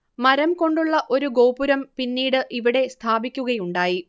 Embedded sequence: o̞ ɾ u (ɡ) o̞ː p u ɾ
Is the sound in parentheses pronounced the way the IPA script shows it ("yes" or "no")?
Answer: yes